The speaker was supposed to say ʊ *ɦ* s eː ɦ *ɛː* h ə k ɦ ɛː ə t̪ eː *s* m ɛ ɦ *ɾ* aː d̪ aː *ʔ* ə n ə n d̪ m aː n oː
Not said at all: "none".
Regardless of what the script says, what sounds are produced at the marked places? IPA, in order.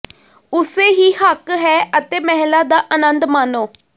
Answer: none, iː, none, l, ʔ

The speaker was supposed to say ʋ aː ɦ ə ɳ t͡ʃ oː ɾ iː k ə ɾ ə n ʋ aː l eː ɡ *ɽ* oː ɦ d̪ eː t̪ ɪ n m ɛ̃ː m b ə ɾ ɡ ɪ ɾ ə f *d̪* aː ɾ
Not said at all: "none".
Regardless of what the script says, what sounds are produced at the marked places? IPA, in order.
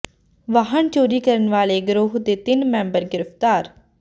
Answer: ɾ, t̪

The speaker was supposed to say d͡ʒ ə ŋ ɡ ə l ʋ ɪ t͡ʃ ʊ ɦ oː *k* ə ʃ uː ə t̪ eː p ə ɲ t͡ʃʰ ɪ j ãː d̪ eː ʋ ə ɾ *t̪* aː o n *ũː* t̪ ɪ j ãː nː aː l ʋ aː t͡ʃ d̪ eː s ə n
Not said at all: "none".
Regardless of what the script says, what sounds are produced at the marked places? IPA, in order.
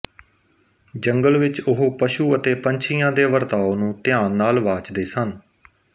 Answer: p, t̪, ũː

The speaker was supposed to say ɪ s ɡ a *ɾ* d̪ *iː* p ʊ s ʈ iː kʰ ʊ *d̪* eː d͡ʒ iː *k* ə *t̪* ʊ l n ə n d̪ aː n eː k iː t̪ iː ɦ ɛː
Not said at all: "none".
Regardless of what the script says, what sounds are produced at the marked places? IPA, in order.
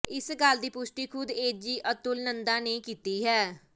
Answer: l, iː, d̪, ʔ, t̪

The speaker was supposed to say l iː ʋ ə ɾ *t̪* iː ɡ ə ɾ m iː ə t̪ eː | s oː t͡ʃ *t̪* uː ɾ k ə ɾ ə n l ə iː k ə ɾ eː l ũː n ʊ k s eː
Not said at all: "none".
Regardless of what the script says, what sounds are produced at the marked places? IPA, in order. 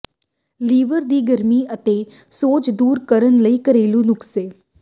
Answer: d̪, d̪

